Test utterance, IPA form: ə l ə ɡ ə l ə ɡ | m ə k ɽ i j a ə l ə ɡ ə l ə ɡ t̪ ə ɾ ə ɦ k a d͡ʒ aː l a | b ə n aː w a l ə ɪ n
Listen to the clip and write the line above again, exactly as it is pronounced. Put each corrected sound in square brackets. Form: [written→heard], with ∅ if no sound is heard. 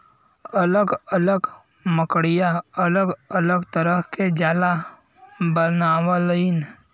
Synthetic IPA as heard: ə l ə ɡ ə l ə ɡ | m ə k ɽ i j a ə l ə ɡ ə l ə ɡ t̪ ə ɾ ə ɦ k [a→e] d͡ʒ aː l a | b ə n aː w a l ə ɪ n